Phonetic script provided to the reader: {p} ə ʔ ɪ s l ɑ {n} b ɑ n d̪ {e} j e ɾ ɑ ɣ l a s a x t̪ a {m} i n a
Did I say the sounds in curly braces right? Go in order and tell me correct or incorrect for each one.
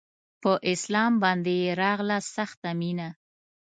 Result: correct, incorrect, correct, correct

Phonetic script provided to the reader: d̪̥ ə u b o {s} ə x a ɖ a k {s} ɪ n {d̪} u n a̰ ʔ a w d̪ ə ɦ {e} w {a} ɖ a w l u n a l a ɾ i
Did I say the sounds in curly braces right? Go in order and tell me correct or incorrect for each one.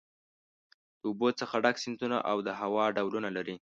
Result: incorrect, correct, incorrect, incorrect, incorrect

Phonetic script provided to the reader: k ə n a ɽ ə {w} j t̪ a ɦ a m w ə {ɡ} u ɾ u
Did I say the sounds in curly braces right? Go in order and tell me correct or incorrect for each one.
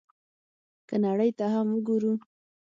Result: incorrect, correct

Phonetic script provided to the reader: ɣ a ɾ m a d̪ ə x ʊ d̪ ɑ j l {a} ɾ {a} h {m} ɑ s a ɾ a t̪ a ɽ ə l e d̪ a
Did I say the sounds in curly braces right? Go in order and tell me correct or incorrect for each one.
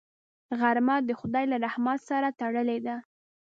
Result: correct, correct, correct

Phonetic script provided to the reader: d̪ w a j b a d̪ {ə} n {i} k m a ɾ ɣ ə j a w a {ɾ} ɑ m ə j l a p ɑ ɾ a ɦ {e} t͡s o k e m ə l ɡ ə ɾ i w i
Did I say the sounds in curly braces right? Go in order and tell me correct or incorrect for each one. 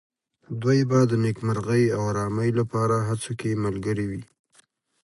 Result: correct, incorrect, correct, incorrect

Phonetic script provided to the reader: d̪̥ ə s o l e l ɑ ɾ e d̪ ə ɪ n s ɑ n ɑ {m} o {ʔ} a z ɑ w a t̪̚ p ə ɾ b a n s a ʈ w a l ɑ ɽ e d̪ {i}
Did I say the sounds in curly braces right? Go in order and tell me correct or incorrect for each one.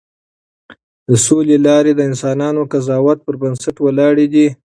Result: incorrect, incorrect, correct

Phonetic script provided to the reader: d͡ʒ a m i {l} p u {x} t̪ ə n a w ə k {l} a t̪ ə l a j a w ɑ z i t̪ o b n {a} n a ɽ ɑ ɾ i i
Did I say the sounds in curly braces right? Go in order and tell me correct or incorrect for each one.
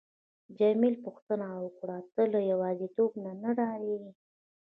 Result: correct, correct, incorrect, correct

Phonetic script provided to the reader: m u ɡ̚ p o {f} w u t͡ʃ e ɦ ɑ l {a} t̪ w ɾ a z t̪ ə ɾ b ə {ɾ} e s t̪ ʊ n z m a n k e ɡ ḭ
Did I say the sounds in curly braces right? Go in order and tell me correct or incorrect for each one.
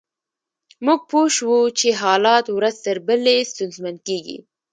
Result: incorrect, incorrect, incorrect

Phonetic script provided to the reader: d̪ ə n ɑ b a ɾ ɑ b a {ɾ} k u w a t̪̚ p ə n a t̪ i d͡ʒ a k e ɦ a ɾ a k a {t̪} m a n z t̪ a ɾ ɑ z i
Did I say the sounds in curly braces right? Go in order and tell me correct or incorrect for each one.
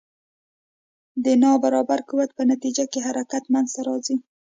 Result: correct, correct

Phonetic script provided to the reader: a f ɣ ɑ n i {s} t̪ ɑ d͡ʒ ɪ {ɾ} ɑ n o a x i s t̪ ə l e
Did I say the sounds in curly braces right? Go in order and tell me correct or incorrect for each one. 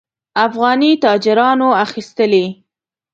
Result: incorrect, correct

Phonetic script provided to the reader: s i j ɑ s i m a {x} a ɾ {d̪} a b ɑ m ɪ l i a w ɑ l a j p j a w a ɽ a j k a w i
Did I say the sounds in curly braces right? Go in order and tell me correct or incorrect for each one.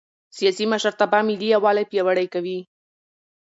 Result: incorrect, incorrect

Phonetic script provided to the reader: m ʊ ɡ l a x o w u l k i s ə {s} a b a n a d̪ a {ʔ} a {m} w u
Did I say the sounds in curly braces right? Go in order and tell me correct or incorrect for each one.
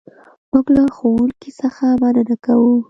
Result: incorrect, incorrect, incorrect

